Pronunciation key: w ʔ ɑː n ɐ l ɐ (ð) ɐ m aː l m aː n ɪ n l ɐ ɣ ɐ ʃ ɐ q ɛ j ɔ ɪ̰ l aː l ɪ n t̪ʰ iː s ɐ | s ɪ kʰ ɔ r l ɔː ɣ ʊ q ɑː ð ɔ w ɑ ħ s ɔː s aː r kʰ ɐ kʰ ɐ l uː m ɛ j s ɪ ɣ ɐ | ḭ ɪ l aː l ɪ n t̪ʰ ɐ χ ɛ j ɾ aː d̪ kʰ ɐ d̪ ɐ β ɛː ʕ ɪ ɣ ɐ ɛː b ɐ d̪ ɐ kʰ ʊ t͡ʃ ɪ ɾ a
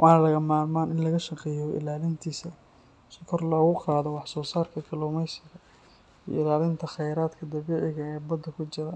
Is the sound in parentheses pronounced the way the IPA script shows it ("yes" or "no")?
no